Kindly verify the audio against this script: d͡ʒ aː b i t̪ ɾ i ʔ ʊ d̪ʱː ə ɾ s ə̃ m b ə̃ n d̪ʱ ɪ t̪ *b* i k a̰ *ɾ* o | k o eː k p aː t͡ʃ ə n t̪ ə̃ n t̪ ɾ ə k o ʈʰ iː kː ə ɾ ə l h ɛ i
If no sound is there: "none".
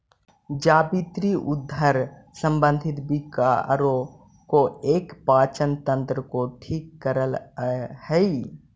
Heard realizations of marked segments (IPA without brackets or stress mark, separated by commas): b, ɾ